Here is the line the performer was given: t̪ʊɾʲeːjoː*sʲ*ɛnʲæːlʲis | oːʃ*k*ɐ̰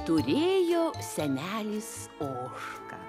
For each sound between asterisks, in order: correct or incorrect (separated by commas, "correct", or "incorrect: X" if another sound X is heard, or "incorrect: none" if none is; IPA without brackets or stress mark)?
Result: correct, correct